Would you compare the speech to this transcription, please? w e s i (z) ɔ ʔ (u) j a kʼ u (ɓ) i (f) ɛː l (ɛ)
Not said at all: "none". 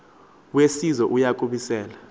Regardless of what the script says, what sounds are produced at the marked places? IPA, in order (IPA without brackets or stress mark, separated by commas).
z, u, ɓ, s, a